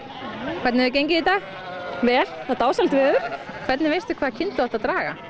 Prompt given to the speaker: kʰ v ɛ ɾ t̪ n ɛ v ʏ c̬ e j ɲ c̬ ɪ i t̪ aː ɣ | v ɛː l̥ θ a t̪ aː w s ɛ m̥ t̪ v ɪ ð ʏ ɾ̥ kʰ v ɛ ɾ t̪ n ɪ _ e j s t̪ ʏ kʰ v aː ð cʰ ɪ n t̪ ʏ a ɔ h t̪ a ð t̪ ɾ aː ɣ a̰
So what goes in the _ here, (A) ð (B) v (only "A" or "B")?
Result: B